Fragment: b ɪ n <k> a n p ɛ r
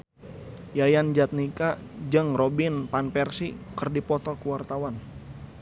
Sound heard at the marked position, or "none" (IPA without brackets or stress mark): p